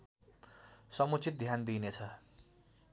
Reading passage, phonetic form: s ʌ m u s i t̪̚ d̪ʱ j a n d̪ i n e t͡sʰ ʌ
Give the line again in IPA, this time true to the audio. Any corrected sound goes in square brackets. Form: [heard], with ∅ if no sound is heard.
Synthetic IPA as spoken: s ʌ m u [t͡s] i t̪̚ d̪ʱ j a n d̪ i n e t͡sʰ ʌ